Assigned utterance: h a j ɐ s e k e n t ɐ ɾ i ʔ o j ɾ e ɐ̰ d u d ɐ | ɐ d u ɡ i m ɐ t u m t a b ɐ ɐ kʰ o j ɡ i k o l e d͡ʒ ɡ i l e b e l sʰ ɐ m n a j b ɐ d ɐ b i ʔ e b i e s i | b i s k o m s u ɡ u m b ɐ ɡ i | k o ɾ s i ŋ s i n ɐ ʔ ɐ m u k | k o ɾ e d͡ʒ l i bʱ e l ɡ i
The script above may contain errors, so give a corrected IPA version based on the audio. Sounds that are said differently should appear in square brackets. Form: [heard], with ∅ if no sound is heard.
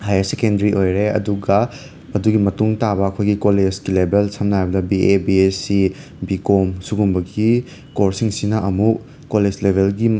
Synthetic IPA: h a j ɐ s e k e n [d] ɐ ɾ i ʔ o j ɾ e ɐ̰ d u [ɡ] ɐ | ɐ d u ɡ i m ɐ t u [ŋ] t a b ɐ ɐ kʰ o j ɡ i k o l e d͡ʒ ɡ i l e b e l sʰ ɐ m n a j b ɐ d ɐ b i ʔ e b i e s i | b i [∅] k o m s u ɡ u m b ɐ ɡ i | k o ɾ s i ŋ s i n ɐ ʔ ɐ m u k | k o [l] e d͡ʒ l [e] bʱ e l ɡ i